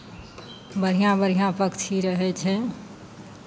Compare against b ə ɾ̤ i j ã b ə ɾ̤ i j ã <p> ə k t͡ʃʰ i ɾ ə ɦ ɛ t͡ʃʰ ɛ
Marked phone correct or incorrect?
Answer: correct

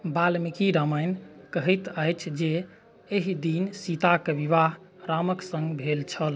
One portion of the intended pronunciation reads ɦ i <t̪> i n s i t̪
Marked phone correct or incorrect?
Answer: incorrect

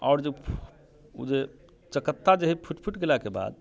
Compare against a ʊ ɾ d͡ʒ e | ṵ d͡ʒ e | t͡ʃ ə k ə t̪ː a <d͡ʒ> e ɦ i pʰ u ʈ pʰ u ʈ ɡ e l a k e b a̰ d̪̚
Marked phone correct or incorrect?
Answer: correct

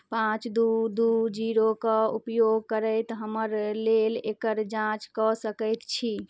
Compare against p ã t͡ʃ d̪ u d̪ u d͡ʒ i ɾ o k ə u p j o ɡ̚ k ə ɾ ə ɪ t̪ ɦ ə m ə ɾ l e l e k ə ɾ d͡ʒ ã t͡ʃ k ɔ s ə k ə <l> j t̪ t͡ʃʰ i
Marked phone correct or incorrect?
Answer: incorrect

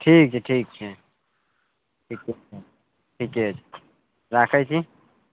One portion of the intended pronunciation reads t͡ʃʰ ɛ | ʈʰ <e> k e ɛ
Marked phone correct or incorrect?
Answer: incorrect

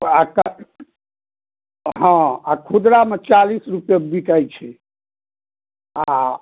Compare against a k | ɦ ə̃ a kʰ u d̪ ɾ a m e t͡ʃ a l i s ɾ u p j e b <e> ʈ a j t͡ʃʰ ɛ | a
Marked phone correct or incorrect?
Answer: incorrect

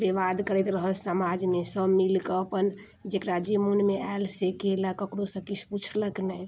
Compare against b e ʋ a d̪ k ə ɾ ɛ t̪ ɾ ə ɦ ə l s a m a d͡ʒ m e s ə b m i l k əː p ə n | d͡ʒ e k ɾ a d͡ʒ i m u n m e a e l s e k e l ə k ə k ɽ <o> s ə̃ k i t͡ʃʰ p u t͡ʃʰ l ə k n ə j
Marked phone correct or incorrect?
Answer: correct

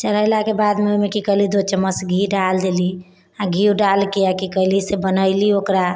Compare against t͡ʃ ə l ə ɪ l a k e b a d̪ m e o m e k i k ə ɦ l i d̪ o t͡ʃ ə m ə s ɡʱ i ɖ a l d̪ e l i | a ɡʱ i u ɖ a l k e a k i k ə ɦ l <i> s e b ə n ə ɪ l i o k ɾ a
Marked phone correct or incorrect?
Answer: correct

